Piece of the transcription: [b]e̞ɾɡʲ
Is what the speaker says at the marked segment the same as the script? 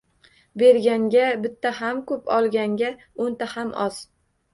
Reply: yes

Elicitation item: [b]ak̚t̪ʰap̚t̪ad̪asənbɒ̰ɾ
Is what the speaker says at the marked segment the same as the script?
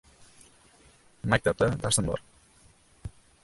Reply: no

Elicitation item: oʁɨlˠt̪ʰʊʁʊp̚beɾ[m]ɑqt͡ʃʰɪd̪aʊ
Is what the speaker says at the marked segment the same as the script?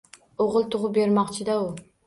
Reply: yes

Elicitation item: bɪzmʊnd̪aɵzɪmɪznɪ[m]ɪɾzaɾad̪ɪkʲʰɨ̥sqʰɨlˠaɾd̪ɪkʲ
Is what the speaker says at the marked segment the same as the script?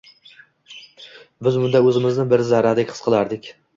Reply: no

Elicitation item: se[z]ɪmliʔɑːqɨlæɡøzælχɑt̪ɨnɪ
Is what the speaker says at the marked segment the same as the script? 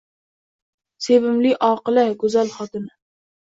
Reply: no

